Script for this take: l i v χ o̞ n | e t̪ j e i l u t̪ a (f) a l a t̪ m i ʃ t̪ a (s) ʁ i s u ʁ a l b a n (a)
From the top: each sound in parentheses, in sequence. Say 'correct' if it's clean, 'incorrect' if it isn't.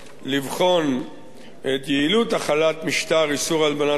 incorrect: χ, incorrect: none, correct

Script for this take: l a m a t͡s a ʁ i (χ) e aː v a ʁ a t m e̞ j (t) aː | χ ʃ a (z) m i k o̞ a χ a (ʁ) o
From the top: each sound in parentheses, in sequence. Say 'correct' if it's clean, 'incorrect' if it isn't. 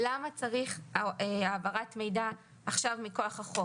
correct, incorrect: d, incorrect: v, incorrect: χ

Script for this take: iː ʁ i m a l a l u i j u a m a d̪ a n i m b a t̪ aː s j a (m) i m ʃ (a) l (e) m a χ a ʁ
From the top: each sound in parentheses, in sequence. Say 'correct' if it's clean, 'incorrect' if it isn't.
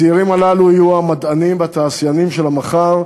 incorrect: n, incorrect: e, incorrect: a

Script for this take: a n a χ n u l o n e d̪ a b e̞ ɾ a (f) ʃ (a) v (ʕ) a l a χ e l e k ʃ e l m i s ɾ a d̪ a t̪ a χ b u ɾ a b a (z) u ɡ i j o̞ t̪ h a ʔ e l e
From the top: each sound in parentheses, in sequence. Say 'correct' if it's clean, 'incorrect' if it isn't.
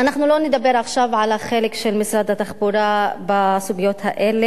incorrect: χ, correct, correct, incorrect: s

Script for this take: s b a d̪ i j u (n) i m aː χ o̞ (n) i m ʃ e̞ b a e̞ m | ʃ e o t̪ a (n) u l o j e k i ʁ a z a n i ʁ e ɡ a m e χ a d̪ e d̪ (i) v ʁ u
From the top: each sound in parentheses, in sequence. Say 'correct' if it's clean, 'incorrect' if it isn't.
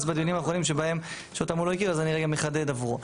correct, correct, incorrect: m, incorrect: a

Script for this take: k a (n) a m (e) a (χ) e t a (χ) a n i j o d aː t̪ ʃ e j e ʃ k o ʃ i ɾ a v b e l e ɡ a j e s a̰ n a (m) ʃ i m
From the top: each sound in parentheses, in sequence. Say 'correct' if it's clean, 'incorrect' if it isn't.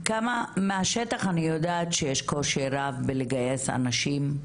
incorrect: m, correct, incorrect: ʃ, correct, incorrect: none

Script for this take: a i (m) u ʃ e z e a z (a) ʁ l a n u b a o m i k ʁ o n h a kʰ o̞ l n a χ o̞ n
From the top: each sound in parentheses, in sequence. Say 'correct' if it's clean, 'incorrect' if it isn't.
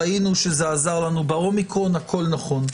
incorrect: n, correct

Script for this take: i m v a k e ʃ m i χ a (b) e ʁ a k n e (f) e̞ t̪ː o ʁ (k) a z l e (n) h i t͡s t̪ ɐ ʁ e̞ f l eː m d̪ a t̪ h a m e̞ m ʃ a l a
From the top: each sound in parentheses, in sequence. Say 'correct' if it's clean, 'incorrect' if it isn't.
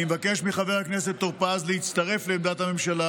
incorrect: v, incorrect: s, incorrect: p, incorrect: none

